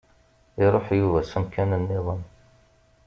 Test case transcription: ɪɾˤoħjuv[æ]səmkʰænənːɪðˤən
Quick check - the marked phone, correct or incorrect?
correct